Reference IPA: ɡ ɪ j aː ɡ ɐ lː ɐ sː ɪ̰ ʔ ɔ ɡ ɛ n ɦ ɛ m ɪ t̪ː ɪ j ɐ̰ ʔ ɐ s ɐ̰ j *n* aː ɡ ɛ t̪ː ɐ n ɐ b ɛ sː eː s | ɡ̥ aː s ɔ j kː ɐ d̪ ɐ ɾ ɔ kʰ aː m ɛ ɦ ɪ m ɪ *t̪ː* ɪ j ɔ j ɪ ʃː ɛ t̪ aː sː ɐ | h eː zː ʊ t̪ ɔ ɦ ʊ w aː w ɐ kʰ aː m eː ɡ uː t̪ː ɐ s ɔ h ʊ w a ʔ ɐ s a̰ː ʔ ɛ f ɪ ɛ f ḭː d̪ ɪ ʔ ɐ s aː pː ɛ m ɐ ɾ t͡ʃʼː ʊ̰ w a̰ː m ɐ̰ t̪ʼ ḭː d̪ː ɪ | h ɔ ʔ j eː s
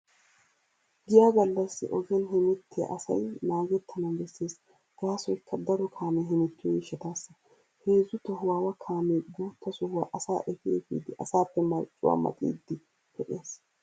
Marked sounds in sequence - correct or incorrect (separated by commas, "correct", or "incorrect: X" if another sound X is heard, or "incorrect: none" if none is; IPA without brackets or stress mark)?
correct, correct